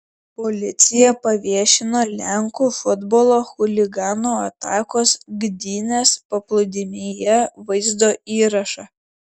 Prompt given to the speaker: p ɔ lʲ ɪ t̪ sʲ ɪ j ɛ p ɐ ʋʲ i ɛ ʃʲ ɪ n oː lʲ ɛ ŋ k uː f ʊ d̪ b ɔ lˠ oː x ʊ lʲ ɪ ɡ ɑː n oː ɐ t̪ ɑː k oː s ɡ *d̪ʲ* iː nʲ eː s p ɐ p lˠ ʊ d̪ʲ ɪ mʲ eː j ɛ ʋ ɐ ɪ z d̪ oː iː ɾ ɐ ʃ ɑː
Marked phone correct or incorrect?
correct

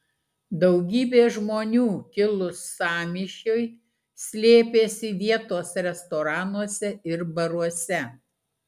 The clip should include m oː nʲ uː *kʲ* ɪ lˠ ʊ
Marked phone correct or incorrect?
correct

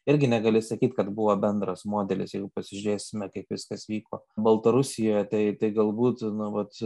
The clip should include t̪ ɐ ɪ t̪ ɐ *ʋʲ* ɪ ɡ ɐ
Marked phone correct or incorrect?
incorrect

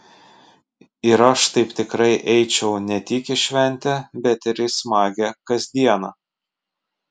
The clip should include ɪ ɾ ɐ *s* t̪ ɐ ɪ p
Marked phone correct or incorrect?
incorrect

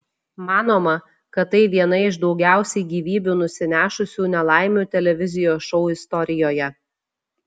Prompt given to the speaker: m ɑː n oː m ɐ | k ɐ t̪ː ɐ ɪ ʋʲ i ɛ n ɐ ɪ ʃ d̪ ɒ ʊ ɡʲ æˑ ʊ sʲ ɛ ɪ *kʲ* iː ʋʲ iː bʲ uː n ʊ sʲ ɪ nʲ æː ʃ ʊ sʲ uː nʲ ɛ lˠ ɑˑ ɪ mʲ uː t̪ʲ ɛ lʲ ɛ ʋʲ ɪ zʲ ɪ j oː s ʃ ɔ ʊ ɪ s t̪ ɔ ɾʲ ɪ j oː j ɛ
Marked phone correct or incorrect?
incorrect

